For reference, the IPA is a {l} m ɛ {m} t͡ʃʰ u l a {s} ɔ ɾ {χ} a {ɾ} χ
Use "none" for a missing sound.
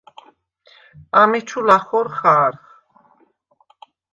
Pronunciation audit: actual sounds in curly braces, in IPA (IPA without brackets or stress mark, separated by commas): none, none, χ, χ, ɾ